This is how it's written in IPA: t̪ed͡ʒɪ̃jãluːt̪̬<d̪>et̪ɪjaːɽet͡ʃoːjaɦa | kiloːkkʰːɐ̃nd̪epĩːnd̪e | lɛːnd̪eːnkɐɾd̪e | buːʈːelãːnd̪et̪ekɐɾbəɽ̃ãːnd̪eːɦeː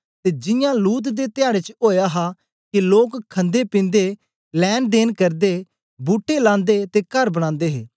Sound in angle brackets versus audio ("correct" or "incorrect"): correct